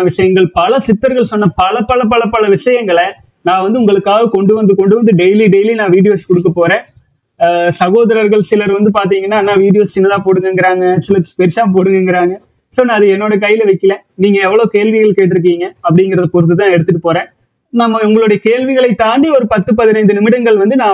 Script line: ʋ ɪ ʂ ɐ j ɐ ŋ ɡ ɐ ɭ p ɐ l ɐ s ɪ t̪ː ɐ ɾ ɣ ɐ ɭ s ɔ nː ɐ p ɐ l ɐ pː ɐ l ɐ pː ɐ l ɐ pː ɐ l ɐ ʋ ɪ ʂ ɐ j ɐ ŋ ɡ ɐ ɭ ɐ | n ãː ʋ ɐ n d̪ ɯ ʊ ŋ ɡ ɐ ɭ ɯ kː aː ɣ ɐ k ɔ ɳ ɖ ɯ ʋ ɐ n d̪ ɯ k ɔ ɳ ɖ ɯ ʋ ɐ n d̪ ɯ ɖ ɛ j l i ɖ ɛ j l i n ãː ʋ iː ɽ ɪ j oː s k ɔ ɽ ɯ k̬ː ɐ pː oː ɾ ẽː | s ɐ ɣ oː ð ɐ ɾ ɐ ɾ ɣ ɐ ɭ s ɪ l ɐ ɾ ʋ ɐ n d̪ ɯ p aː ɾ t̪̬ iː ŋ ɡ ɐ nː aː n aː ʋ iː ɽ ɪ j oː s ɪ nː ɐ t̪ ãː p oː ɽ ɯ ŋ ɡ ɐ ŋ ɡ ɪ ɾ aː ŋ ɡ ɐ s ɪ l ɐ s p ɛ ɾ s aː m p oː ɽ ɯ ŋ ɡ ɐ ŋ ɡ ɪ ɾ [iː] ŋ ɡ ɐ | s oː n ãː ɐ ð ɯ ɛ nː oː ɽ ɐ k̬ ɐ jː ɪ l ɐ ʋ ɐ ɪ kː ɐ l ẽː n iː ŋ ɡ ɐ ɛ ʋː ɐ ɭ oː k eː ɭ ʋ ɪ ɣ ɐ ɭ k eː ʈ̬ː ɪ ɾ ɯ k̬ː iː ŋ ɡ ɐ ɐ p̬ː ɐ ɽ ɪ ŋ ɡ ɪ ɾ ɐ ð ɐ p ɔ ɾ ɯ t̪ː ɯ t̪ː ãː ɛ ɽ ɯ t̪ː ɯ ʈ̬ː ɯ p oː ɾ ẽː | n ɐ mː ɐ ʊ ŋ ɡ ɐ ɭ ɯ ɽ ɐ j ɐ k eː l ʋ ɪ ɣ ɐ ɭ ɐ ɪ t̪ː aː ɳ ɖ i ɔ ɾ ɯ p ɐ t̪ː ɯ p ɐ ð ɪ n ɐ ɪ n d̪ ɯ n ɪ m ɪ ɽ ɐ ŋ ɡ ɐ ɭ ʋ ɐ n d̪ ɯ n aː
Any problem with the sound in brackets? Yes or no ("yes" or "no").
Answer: yes